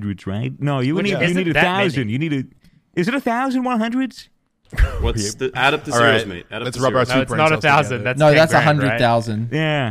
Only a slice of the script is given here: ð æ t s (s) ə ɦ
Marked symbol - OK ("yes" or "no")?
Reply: yes